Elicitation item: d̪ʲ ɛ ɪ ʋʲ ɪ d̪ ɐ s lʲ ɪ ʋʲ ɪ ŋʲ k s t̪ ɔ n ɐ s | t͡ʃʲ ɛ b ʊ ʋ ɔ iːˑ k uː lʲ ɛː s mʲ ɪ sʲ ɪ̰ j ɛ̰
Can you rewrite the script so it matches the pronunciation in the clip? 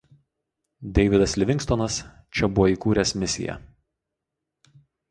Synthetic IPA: d̪ʲ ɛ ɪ ʋʲ ɪ d̪ ɐ s lʲ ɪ ʋʲ ɪ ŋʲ k s t̪ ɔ n ɐ s | t͡ʃʲ ɛ b ʊ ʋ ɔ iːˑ k uː ɾʲ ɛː s mʲ ɪ sʲ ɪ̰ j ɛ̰

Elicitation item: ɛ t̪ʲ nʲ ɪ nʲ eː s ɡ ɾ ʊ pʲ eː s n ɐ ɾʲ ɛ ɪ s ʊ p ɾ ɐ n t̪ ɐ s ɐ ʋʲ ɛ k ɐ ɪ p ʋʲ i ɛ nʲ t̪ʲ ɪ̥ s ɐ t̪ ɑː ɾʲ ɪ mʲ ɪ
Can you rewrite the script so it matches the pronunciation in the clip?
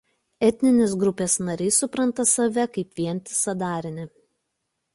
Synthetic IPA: ɛ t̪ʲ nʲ ɪ nʲ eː s ɡ ɾ ʊ pʲ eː s n ɐ ɾʲ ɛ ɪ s ʊ p ɾ ɐ n t̪ ɐ s ɐ ʋʲ ɛ k ɐ ɪ p ʋʲ i ɛ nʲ t̪ʲ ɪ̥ s ɐ d̪ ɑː ɾʲ ɪ nʲ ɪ

